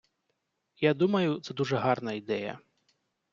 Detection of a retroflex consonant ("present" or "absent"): present